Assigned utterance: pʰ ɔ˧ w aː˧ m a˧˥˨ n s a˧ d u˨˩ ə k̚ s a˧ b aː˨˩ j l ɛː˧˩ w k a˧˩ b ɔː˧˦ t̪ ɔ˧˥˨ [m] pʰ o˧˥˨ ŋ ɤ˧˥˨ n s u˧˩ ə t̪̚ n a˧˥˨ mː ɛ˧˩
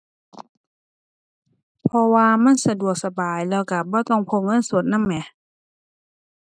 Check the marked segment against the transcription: incorrect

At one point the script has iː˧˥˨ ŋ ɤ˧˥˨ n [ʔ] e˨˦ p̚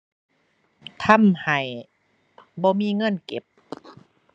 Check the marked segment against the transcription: incorrect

